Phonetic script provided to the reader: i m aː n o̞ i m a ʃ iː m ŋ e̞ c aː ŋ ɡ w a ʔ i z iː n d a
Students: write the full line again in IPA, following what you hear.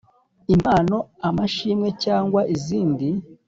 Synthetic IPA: i m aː n o̞ a m a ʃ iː m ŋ e̞ c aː ŋ ɡ w a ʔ i z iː n d i

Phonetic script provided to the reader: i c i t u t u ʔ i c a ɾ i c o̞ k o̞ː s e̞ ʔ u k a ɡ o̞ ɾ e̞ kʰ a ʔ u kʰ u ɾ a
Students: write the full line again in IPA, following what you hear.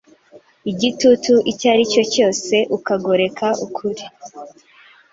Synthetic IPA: i ɟ i t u t u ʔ i c a ɾ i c o̞ c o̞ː s e̞ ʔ u k a ɡ o̞ ɾ e̞ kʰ a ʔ u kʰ u ɾ i

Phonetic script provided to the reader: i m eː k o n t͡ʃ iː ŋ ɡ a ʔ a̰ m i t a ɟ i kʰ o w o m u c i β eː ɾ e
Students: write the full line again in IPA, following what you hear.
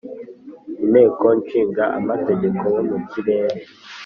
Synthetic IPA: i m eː k o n t͡ʃ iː ŋ ɡ a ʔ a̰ m a t e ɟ e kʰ o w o m u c i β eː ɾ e

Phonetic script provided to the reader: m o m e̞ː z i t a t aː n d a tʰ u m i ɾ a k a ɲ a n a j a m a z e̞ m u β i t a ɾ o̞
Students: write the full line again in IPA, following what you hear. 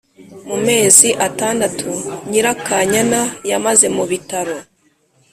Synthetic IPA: m u m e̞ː z i ʔ a t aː n d a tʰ u ɲ i ɾ a k a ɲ a n a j a m a z e̞ m u β i t a ɾ o̞

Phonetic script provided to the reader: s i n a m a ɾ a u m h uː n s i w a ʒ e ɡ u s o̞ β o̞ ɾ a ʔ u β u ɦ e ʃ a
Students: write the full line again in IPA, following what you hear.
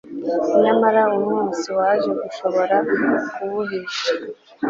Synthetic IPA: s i n a m a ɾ a u m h uː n s i w a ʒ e ɡ u ʃ o̞ β o̞ ɾ a k u β u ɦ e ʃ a

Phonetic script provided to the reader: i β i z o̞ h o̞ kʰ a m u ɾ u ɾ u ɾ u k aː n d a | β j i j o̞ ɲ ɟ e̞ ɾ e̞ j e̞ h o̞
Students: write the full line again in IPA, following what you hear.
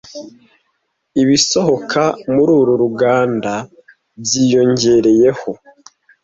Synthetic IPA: i β i s o̞ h o̞ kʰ a m u ɾ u ɾ u ɾ u ɡ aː n d a | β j i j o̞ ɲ ɟ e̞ ɾ e̞ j e̞ h o̞

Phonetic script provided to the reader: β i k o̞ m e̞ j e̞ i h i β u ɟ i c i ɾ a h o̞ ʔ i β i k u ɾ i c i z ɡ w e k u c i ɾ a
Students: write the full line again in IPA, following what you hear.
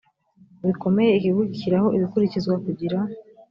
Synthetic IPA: β i k o̞ m e̞ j e̞ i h i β u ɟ i c i ɾ a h o̞ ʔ i β i k u ɾ i c i z ɡ w a k u ɟ i ɾ a

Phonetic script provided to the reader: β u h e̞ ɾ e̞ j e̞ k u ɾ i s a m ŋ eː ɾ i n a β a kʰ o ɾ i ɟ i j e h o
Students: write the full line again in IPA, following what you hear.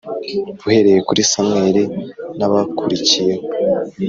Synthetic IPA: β u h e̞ ɾ e̞ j e̞ k u ɾ i s a m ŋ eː ɾ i n a β a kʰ u ɾ i c i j e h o

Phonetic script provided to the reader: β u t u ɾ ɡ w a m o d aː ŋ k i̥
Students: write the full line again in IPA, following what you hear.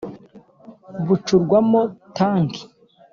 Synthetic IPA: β u t͡ʃ u ɾ ɡ w a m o t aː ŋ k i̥

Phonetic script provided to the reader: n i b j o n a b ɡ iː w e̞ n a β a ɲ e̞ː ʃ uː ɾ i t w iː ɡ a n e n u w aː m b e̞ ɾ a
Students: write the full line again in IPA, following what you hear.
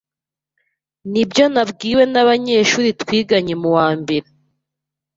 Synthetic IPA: n i b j o n a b ɡ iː w e̞ n a β a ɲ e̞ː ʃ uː ɾ i t w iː ɡ a ɲ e m u w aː m b e̞ ɾ e

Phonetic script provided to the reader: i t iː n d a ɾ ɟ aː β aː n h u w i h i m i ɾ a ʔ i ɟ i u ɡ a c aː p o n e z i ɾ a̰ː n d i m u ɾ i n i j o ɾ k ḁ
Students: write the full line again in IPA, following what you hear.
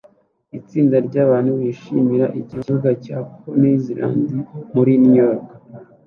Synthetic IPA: i t͡s iː n d a ɾ ɟ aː β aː n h u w i ʃ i m i ɾ a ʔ i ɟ i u ɡ a c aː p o n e z i ɾ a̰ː n d i m u ɾ i n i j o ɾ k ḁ

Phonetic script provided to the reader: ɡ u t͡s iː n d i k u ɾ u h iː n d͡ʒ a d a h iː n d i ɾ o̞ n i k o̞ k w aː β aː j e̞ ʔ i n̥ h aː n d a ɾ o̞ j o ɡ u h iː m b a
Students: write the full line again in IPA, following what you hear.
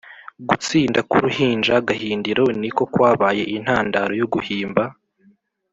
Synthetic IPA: ɡ u t͡s iː n d a k u ɾ u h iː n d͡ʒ a ɡ a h iː n d i ɾ o̞ n i k o̞ k w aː β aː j e̞ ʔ i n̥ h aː n d a ɾ o̞ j o ɡ u h iː m b a

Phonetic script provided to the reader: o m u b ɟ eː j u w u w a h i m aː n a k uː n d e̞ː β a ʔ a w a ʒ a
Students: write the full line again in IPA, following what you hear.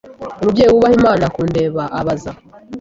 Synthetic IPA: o m u b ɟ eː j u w u β a h i m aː n a k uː n d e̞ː β a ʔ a β a z a

